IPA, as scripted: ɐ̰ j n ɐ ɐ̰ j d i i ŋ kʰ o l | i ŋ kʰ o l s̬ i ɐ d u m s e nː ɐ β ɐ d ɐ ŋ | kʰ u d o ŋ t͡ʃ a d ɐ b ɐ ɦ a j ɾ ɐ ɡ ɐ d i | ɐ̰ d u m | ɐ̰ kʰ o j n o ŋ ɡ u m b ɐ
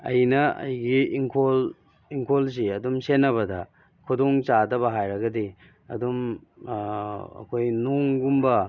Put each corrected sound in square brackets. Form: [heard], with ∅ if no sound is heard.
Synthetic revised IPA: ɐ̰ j n ɐ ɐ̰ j [ɡ] i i ŋ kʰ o l | i ŋ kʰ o l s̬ i ɐ d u m s e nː ɐ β ɐ d ɐ [∅] | kʰ u d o ŋ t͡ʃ a d ɐ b ɐ ɦ a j ɾ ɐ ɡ ɐ d i | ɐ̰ d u m | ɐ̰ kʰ o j n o ŋ ɡ u m b ɐ

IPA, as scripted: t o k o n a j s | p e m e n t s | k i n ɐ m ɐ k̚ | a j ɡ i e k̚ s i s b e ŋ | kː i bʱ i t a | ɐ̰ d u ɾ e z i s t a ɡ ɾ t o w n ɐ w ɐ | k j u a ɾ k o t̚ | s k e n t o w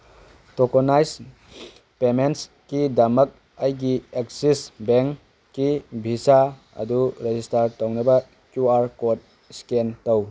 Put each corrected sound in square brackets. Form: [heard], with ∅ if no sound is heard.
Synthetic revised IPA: t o k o n a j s | p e m e n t s | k i [d] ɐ m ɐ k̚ | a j ɡ i e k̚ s i s b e ŋ | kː i bʱ i [s] a | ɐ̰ d u ɾ e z i s t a [∅] ɾ t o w n ɐ [b] ɐ | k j u a ɾ k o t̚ | s k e n t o w

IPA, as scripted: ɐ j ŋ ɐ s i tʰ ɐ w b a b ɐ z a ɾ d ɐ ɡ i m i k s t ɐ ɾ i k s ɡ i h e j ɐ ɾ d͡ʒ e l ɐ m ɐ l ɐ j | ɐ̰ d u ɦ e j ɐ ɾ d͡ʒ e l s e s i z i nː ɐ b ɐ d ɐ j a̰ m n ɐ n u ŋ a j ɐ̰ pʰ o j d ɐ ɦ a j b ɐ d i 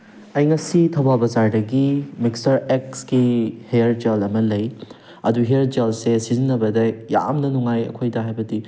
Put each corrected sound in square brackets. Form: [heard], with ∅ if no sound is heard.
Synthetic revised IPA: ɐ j ŋ ɐ s i tʰ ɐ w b a b ɐ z a ɾ d ɐ ɡ i m i k s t ɐ ɾ [e] k s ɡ i h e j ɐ ɾ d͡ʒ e l ɐ m ɐ l ɐ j | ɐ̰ d u ɦ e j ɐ ɾ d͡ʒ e l s e s i z i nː ɐ b ɐ d ɐ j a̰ m n ɐ n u ŋ a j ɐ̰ [kʰ] o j d ɐ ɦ a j b ɐ d i

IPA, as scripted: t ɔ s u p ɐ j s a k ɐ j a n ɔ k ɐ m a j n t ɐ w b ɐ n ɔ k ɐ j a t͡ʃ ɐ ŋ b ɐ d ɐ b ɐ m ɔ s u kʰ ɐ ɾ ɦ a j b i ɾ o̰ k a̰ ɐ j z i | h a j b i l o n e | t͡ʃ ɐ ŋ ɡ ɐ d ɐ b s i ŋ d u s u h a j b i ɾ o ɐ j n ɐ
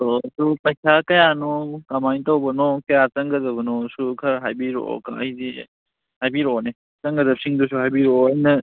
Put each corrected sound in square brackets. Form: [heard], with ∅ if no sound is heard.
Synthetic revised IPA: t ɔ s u p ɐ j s a k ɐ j a n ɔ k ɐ m a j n t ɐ w b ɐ n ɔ k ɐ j a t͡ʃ ɐ ŋ [ɡ] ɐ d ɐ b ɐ [n] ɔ s u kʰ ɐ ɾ ɦ a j b i ɾ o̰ k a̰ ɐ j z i | h a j b i [ɾ] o n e | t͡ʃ ɐ ŋ ɡ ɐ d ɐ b s i ŋ d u s u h a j b i ɾ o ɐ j n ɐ

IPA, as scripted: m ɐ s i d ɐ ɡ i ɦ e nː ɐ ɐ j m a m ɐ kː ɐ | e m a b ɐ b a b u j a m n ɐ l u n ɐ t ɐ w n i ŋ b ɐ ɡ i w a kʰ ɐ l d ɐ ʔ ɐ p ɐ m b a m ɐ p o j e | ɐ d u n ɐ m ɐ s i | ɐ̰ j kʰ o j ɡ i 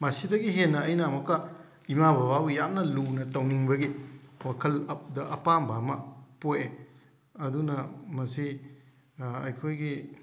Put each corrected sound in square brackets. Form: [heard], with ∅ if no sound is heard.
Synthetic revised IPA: m ɐ s i d ɐ ɡ i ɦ e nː ɐ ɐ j [n] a m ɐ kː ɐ | [i] m a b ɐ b a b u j a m n ɐ l u n ɐ t ɐ w n i ŋ b ɐ ɡ i w a kʰ ɐ l d ɐ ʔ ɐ p [a] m b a m ɐ p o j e | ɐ d u n ɐ m ɐ s i | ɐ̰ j kʰ o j ɡ i

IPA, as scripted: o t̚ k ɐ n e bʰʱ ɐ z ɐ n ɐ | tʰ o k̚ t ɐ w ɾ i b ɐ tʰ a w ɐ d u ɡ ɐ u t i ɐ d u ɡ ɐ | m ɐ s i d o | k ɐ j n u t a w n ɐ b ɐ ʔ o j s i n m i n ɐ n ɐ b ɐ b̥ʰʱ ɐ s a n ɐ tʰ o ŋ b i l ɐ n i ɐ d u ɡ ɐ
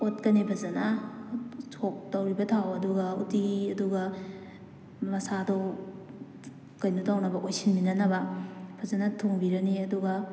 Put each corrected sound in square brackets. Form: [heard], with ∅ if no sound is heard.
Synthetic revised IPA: o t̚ k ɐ n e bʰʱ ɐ z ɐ n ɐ | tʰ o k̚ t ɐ w ɾ i b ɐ tʰ a w ɐ d u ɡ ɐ u t i ɐ d u ɡ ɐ | m ɐ s [a] d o | k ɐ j n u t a w n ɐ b ɐ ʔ o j s i n m i n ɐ n ɐ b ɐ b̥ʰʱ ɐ [z] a n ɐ tʰ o ŋ b i [ɾ] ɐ n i ɐ d u ɡ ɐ

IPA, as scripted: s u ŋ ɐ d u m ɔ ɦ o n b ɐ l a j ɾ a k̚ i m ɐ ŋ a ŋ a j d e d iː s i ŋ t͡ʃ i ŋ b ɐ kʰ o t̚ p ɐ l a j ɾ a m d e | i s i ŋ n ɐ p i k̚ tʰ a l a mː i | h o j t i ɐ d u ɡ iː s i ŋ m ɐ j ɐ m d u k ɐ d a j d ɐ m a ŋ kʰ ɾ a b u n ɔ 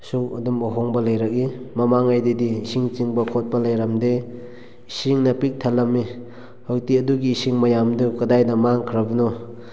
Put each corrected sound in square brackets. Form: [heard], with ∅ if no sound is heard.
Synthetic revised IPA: s u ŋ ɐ d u m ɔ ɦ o [ŋ] b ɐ l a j ɾ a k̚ i m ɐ [m] a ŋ a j d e d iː s i ŋ t͡ʃ i ŋ b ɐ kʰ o t̚ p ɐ l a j ɾ a m d e | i s i ŋ n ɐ p i k̚ tʰ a l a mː i | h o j t i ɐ d u ɡ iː s i ŋ m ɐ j [a] m d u k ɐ d a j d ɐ m a ŋ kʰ ɾ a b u n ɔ

